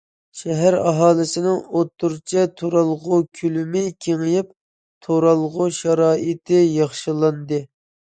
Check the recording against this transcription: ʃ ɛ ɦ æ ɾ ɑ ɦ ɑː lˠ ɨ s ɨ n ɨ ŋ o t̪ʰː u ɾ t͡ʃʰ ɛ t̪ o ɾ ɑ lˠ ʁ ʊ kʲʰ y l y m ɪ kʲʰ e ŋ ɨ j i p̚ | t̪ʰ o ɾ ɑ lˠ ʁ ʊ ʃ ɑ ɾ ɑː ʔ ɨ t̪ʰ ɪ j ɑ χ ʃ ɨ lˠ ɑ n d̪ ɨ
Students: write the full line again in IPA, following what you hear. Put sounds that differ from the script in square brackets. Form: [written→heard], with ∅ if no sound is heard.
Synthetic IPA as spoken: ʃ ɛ ɦ æ ɾ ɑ ɦ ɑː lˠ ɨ s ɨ n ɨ ŋ o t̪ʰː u ɾ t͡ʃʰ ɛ [t̪→t̪ʰ] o ɾ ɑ lˠ ʁ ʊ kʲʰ y l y m ɪ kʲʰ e ŋ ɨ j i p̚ | t̪ʰ o ɾ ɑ lˠ ʁ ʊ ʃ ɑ ɾ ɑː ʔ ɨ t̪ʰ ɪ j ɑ χ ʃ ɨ lˠ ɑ n d̪ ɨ